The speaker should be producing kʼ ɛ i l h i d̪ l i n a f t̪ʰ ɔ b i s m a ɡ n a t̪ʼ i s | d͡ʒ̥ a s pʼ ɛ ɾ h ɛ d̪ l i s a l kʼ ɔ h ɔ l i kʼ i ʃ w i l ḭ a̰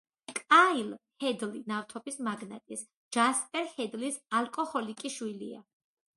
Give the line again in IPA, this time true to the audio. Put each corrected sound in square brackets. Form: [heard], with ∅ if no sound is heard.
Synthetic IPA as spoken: kʼ [a] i l h [ɛ] d̪ l i n a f t̪ʰ ɔ b i s m a ɡ n a t̪ʼ i s | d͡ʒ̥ a s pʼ ɛ ɾ h ɛ d̪ l i s a l kʼ ɔ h ɔ l i kʼ i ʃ w i l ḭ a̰

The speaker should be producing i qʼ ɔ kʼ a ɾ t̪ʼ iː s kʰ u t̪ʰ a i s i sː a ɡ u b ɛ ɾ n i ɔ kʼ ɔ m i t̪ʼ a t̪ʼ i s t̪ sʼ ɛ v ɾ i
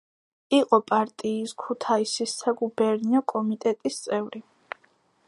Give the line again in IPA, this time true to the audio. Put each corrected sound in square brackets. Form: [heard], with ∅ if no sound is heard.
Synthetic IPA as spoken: i qʼ ɔ [pʼ] a ɾ t̪ʼ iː s kʰ u t̪ʰ a i s i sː a ɡ u b ɛ ɾ n i ɔ kʼ ɔ m i t̪ʼ [ɛ] t̪ʼ i s t̪ sʼ ɛ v ɾ i

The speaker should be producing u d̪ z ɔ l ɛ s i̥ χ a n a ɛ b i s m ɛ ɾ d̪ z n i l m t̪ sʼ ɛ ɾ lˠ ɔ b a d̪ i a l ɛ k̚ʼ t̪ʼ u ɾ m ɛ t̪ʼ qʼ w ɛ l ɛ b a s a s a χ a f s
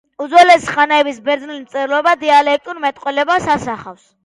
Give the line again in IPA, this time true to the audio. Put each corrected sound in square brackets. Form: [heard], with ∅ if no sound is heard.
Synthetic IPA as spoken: u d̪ z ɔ l ɛ s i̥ χ a n a ɛ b i s [b] ɛ ɾ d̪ z n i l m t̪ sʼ ɛ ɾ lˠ ɔ b a d̪ i a l ɛ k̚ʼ t̪ʼ u ɾ m ɛ t̪ʼ qʼ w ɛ l ɛ b a s a s a χ a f s

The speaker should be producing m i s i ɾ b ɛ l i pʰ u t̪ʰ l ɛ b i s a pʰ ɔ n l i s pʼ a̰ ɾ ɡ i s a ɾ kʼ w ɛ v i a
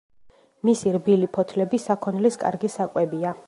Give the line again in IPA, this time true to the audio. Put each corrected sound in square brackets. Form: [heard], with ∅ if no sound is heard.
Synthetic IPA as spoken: m i s i ɾ b [i] l i pʰ [ɔ] t̪ʰ l ɛ b i s a [kʰ] ɔ n l i s [kʼ] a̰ ɾ ɡ i s a [∅] kʼ w ɛ [b] i a

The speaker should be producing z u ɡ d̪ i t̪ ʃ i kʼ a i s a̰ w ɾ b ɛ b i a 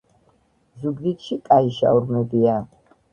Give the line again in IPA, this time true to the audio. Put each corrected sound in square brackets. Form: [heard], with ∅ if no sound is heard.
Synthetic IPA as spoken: z u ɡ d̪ i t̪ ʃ i kʼ a i [ʃ] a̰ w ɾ [m] ɛ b i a

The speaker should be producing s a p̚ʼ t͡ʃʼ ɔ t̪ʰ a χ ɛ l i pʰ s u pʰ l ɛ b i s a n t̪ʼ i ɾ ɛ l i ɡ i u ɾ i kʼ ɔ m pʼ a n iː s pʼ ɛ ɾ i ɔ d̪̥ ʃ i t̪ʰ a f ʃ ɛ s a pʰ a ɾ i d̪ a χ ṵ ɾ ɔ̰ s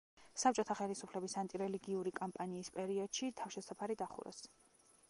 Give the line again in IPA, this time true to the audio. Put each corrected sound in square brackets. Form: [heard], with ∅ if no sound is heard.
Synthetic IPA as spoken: s a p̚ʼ t͡ʃʼ ɔ t̪ʰ a χ ɛ l i [∅] s u pʰ l ɛ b i s a n t̪ʼ i ɾ ɛ l i ɡ i u ɾ i kʼ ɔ m pʼ a n iː s pʼ ɛ ɾ i ɔ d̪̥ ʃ i t̪ʰ a f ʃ ɛ s a pʰ a ɾ i d̪ a χ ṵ ɾ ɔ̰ s

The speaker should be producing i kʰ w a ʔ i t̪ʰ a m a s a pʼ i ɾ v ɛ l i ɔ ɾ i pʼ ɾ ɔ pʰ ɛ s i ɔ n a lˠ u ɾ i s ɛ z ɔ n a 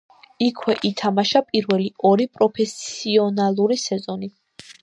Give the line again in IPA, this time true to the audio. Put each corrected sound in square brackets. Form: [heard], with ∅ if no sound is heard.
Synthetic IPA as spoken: i kʰ w [ɛ] ʔ i t̪ʰ a m a [ʃ] a pʼ i ɾ v ɛ l i ɔ ɾ i pʼ ɾ ɔ pʰ ɛ s i ɔ n a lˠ u ɾ i s ɛ z ɔ n [i]

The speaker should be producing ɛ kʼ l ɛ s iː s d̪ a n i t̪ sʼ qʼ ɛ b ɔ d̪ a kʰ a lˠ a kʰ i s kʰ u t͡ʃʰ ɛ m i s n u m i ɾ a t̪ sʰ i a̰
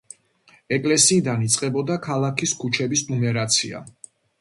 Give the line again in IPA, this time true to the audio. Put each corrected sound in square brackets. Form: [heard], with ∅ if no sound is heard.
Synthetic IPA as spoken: ɛ kʼ l ɛ s iː [∅] d̪ a n i t̪ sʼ qʼ ɛ b ɔ d̪ a kʰ a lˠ a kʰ i s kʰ u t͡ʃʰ ɛ [b] i s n u m [ɛ] ɾ a t̪ sʰ i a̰

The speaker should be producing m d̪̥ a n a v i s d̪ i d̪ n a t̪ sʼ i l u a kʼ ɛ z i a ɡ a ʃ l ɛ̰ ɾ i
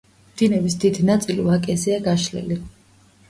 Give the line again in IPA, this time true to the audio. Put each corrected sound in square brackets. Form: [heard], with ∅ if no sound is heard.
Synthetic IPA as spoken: m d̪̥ [i] n [ɛ] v i s d̪ i d̪ n a t̪ sʼ i l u a kʼ ɛ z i a ɡ a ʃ l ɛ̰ [l] i

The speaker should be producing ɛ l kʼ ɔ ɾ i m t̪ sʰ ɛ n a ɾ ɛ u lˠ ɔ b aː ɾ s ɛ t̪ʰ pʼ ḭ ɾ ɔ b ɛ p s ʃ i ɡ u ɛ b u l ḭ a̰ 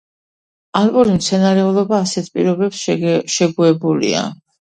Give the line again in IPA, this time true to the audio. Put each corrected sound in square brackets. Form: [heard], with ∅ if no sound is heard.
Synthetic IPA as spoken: [a] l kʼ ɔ ɾ i m t̪ sʰ ɛ n a ɾ ɛ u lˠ ɔ b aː [∅] s ɛ t̪ʰ pʼ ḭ ɾ ɔ b ɛ p s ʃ [ɛ] ɡ u ɛ b u l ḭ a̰

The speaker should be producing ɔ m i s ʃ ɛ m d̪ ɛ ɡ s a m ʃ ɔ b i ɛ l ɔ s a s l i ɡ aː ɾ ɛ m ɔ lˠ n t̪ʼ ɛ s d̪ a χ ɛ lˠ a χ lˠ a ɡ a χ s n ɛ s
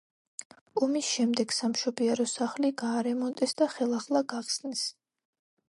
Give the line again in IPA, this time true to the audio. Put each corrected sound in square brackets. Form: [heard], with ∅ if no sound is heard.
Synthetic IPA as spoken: ɔ m i s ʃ ɛ m d̪ ɛ ɡ s a m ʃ ɔ b i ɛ [ɾ] ɔ s a [χ] l i ɡ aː ɾ ɛ m ɔ [∅] n t̪ʼ ɛ s d̪ a χ ɛ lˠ a χ lˠ a ɡ a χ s n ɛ s

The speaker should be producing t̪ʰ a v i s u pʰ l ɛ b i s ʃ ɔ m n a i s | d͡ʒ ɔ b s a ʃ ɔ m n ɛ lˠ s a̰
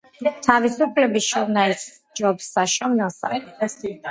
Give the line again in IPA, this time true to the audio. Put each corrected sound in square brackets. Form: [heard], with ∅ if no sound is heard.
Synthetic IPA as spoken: t̪ʰ a v i s u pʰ l ɛ b i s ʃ ɔ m n a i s | d͡ʒ ɔ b s a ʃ ɔ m n ɛ lˠ s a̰

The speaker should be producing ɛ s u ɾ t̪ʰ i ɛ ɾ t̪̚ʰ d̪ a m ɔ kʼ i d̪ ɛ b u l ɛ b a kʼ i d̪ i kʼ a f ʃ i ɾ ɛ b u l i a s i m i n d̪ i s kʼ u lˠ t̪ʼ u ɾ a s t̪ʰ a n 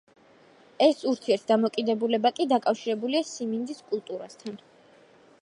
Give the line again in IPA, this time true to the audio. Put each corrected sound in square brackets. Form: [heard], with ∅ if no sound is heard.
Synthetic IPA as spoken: ɛ s u ɾ t̪ʰ i ɛ ɾ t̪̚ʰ d̪ a m ɔ kʼ i d̪ ɛ b u l ɛ b a kʼ i d̪ [a] kʼ a f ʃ i ɾ ɛ b u l i a s i m i n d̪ i s kʼ u lˠ t̪ʼ u ɾ a s t̪ʰ a n

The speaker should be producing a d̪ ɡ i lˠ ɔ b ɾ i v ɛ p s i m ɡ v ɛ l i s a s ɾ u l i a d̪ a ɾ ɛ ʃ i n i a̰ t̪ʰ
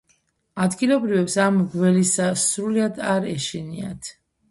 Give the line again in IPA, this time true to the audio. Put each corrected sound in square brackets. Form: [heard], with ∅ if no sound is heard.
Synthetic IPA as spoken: a d̪ ɡ i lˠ ɔ b ɾ i v ɛ p s [a] m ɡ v ɛ l i s a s ɾ u l i a d̪ a ɾ ɛ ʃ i n i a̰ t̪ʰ

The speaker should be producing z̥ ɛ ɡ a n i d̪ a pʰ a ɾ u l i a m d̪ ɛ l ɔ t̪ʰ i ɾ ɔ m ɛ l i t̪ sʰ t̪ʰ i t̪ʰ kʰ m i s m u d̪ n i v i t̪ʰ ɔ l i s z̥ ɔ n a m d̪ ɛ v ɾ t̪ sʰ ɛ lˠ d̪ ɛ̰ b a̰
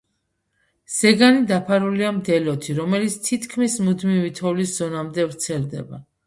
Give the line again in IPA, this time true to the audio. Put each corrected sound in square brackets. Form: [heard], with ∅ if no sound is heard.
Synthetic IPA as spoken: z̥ ɛ ɡ a n i d̪ a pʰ a ɾ u l i a m d̪ ɛ l ɔ t̪ʰ i ɾ ɔ m ɛ l i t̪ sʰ t̪ʰ i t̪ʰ kʰ m i s m u d̪ [m] i v i t̪ʰ ɔ l i s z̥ ɔ n a m d̪ ɛ v ɾ t̪ sʰ ɛ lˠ d̪ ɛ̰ b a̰

